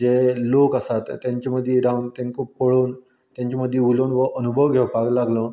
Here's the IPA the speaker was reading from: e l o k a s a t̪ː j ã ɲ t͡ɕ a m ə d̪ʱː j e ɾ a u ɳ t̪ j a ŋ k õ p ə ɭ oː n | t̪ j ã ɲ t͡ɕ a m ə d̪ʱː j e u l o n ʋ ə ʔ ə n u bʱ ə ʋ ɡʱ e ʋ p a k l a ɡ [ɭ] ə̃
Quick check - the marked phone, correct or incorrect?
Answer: incorrect: l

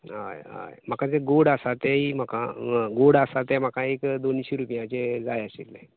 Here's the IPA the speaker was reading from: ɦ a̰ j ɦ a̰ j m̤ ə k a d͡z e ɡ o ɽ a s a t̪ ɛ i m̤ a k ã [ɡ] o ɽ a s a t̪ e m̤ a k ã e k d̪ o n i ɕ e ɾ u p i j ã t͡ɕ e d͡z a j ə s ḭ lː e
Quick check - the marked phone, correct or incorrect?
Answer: correct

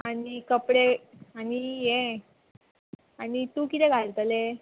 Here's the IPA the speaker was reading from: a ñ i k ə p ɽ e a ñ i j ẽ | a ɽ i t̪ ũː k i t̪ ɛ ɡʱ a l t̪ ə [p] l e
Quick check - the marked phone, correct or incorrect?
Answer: incorrect: none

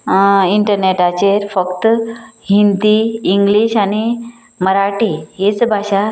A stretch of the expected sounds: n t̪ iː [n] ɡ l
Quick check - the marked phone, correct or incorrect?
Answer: incorrect: ŋ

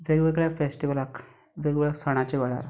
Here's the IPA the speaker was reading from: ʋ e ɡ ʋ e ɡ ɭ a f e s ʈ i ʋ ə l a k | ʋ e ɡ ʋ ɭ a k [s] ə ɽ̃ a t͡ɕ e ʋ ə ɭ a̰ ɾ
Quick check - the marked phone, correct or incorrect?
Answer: correct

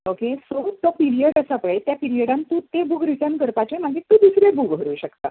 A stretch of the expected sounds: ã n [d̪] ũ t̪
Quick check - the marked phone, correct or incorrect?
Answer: incorrect: t̪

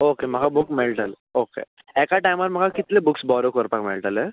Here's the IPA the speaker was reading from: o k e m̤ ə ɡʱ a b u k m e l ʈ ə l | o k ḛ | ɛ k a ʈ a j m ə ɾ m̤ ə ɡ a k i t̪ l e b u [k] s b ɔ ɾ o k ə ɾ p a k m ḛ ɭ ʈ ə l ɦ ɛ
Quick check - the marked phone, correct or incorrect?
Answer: correct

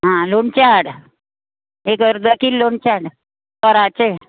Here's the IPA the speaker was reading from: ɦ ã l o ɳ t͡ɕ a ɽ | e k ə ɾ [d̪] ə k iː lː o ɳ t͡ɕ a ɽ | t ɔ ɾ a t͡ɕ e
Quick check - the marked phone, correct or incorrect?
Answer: correct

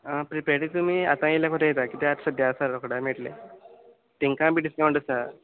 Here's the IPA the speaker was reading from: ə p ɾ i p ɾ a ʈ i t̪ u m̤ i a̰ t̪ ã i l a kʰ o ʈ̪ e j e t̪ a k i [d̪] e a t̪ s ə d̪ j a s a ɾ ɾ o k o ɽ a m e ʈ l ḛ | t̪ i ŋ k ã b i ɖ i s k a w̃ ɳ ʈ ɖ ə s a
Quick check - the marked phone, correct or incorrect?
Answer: incorrect: t̪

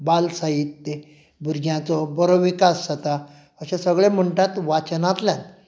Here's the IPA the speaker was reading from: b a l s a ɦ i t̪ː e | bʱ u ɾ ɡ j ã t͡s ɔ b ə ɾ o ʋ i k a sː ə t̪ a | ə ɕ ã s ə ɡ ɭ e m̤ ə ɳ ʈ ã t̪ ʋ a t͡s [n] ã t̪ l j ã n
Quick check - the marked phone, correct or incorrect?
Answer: correct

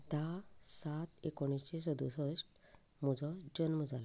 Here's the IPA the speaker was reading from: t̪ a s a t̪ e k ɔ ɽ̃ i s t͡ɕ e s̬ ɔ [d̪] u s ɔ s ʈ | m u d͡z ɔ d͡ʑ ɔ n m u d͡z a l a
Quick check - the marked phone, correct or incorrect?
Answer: correct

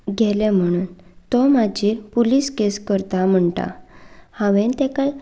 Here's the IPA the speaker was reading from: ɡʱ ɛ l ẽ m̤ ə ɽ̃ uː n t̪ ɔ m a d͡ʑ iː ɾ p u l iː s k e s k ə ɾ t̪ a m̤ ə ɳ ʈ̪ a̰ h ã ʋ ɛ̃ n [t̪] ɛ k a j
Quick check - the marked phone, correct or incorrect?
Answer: correct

